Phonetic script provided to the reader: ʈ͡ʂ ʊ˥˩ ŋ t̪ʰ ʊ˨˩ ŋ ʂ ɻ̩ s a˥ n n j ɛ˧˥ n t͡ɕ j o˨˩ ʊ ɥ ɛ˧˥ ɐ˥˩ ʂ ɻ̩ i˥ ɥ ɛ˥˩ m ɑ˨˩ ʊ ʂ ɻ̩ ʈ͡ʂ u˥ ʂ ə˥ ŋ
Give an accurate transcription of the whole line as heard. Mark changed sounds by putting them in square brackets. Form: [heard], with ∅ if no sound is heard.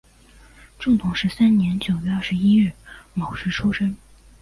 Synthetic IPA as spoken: ʈ͡ʂ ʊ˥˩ ŋ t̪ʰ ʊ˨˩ ŋ ʂ ɻ̩ s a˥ n n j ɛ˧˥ n t͡ɕ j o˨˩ ʊ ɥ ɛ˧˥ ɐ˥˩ ʂ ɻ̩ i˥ ɥ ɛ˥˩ m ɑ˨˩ ʊ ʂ ɻ̩ [ʈ͡ʂʰ] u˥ ʂ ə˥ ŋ